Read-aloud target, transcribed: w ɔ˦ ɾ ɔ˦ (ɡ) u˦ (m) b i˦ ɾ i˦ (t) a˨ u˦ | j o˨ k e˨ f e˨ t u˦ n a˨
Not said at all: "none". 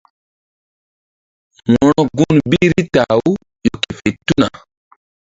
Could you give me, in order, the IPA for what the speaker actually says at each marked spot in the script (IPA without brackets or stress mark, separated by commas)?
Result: ɡ, n, t